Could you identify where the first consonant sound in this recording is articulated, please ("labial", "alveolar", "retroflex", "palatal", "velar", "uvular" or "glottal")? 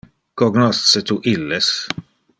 velar